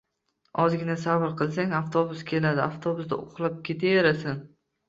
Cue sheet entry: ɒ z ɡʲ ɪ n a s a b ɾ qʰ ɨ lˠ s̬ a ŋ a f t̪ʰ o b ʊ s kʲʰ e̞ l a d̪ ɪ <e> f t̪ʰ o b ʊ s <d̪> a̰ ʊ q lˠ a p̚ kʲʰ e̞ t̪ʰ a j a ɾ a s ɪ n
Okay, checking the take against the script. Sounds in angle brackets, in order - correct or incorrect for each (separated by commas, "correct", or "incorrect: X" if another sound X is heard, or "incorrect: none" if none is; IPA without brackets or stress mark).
incorrect: a, correct